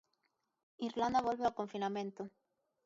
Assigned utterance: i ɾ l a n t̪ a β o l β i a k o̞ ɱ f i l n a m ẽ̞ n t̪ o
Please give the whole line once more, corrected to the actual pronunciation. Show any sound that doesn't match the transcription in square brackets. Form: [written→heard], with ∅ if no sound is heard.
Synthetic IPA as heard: i ɾ l a n [t̪→d̪] a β o l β [i→e] a k o̞ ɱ f i [l→∅] n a m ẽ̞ n t̪ o